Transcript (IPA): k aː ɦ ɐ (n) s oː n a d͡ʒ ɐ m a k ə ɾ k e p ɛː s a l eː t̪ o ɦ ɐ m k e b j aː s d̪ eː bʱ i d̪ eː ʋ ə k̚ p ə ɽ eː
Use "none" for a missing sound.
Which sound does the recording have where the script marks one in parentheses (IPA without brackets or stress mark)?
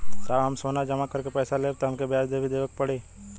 m